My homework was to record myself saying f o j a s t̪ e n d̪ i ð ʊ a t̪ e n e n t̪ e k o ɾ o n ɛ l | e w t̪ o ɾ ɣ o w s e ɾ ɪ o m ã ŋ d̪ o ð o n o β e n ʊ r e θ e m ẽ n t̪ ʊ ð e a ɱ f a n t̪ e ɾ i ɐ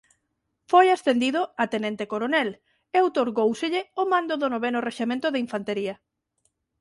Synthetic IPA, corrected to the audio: f o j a s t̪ e n d̪ i ð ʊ a t̪ e n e n t̪ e k o ɾ o n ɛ l | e w t̪ o ɾ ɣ o w s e ʎ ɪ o m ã n d̪ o ð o n o β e n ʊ r e ʃ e m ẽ n t̪ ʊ ð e i ɱ f a n t̪ e ɾ i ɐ